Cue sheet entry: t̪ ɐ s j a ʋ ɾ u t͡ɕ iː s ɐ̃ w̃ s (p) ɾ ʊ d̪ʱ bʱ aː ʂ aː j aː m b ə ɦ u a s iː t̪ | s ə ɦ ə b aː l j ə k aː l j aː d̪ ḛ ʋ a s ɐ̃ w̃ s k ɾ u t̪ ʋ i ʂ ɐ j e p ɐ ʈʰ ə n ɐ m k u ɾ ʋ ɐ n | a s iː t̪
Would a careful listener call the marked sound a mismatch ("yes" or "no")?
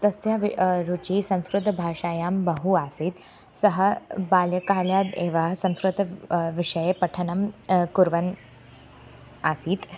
yes